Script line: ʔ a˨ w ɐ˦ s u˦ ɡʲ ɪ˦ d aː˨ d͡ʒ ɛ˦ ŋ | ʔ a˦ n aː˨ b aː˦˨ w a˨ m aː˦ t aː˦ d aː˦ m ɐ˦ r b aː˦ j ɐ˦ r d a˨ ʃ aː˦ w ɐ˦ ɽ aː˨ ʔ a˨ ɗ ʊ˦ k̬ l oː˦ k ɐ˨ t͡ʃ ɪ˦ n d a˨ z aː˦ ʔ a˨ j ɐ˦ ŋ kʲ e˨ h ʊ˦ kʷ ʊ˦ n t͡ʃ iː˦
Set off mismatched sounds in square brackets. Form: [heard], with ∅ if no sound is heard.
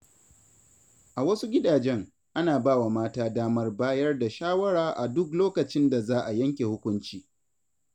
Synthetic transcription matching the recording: ʔ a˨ w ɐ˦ s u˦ ɡʲ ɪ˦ d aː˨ d͡ʒ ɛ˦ ŋ | ʔ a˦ n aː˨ b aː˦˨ w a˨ m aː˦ t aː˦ d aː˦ m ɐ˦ r b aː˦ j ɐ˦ r d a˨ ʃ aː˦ w ɐ˦ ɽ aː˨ ʔ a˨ [d] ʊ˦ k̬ l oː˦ k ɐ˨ t͡ʃ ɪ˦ n d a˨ z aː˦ ʔ a˨ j ɐ˦ ŋ kʲ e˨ h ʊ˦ kʷ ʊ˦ n t͡ʃ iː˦